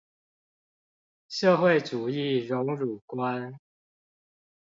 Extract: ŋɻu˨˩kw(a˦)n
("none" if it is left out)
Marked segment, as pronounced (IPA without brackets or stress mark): a˦